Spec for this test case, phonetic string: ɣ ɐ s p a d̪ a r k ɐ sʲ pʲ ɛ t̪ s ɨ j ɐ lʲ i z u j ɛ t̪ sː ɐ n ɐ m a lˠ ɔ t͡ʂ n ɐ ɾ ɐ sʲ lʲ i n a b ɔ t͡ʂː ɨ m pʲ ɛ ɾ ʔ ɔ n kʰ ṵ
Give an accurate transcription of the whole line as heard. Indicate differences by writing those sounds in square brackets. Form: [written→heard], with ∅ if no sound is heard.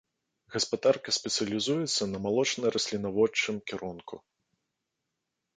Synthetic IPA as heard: ɣ ɐ s p a d̪ a r k ɐ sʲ pʲ ɛ t̪ s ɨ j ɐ lʲ i z u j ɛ t̪ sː ɐ n ɐ m a lˠ ɔ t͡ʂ n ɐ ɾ ɐ sʲ lʲ i n a [b→v] ɔ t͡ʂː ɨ m [pʲ→kʲ] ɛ ɾ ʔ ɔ n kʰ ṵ